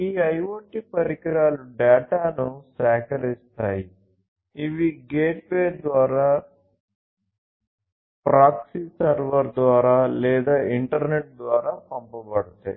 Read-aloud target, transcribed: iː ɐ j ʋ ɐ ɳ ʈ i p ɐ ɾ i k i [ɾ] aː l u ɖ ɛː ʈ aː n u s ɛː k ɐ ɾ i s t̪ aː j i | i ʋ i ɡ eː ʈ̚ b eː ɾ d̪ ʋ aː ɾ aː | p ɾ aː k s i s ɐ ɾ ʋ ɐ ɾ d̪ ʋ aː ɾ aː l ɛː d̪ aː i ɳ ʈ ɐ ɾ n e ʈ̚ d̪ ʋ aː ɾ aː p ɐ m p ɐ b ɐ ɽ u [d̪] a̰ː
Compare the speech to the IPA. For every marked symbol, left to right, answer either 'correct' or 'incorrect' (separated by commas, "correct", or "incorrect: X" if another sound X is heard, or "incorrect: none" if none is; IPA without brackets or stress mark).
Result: correct, incorrect: t̪